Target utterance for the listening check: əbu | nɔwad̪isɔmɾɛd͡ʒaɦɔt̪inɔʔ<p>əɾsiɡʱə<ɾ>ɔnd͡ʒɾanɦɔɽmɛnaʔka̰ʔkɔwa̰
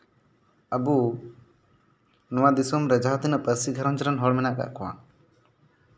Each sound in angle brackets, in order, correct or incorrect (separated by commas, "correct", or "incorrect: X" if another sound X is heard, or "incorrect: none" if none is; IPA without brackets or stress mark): correct, correct